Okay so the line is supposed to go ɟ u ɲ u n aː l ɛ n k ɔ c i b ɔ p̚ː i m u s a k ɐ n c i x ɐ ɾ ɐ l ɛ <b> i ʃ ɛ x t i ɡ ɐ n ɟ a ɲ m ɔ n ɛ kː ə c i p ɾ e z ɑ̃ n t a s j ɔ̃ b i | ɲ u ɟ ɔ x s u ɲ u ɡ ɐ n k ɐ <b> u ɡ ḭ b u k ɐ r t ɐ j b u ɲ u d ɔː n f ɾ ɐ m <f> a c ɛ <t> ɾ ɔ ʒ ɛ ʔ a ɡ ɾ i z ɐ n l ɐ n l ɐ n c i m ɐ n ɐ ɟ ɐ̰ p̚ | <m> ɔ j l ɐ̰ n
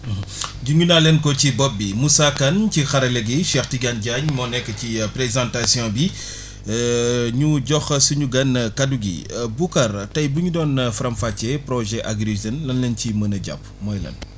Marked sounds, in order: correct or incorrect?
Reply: incorrect, incorrect, correct, incorrect, correct

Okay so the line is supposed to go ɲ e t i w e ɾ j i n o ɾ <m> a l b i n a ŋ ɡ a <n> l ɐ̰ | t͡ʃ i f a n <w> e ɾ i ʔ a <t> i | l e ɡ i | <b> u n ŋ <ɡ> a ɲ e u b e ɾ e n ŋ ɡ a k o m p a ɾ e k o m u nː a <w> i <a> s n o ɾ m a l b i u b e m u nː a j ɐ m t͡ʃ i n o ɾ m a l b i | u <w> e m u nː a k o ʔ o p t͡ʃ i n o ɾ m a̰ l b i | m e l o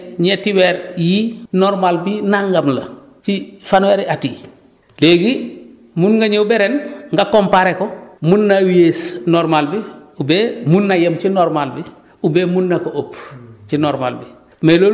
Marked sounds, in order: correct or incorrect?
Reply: correct, incorrect, correct, correct, incorrect, correct, correct, incorrect, incorrect

